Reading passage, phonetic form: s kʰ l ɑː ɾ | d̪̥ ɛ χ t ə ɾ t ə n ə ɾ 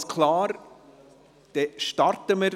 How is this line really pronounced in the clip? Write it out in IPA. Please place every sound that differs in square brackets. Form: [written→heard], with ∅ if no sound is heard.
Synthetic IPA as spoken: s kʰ l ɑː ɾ | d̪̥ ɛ [χ→ʃ] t [ə→ɑ] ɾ t ə [n→m] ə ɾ